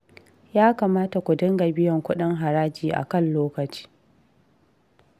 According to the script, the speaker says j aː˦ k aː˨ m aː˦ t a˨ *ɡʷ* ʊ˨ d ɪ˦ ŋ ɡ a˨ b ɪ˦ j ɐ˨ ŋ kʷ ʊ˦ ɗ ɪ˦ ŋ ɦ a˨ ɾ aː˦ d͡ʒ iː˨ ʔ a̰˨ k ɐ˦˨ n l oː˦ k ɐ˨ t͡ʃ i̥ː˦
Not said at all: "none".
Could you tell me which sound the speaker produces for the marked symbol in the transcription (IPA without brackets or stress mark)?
kʷ